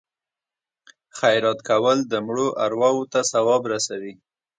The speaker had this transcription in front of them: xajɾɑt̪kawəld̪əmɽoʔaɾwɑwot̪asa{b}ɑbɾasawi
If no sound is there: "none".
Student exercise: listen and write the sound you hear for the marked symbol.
w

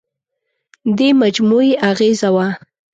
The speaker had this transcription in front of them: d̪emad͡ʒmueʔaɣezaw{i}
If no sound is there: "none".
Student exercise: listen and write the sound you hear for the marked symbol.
a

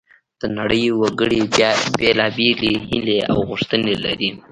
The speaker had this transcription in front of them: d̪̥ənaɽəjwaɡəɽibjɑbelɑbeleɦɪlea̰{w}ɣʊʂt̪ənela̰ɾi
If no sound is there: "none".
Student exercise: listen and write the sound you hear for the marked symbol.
w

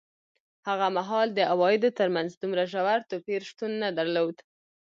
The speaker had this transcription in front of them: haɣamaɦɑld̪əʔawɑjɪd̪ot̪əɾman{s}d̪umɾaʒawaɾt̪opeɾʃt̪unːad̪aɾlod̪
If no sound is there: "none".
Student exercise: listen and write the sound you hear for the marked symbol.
z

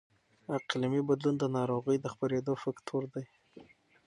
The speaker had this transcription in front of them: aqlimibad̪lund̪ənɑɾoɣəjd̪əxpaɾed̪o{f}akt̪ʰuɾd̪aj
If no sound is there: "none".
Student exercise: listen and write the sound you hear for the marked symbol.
f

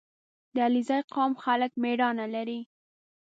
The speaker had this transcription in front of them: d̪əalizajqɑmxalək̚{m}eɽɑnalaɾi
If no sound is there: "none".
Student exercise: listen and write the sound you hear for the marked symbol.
m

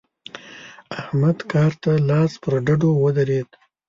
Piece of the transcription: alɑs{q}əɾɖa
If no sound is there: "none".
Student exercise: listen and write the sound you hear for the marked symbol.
p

